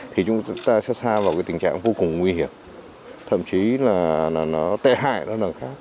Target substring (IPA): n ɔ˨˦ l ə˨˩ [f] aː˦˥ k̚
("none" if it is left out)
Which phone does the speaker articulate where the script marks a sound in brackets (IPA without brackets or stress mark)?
x